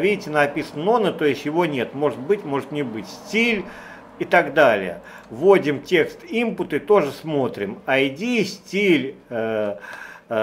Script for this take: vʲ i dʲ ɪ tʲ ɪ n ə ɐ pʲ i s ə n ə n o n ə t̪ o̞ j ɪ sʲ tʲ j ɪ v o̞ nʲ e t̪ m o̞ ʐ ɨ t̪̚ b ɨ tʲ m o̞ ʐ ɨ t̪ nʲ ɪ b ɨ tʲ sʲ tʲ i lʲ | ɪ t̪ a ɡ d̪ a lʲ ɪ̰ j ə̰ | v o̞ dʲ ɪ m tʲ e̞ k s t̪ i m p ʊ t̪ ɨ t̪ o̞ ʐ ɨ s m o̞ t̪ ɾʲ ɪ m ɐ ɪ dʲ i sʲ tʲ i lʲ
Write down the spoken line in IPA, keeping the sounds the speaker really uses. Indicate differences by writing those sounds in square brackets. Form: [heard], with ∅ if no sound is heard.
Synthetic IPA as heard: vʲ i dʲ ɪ tʲ ɪ n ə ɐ pʲ i s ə n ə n o n ə t̪ o̞ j ɪ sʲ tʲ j ɪ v o̞ nʲ e t̪ m o̞ ʐ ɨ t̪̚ b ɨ tʲ m o̞ ʐ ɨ t̪ nʲ ɪ b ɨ tʲ sʲ tʲ i lʲ | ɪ t̪ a ɡ d̪ a lʲ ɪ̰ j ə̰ | v o̞ dʲ ɪ m tʲ e̞ k s t̪ i m p ʊ t̪ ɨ t̪ o̞ ʐ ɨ s m o̞ t̪ ɾʲ ɪ m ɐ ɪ dʲ i sʲ tʲ i lʲ